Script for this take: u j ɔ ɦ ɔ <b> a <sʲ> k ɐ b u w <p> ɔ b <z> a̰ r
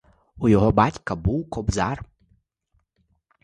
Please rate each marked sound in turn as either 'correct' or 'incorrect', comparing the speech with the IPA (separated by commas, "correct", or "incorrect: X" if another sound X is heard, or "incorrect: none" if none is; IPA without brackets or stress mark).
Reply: correct, incorrect: tʲ, incorrect: k, correct